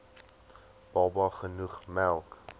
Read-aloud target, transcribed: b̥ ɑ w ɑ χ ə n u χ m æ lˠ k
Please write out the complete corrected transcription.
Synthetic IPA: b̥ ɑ b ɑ χ ə n u χ m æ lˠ k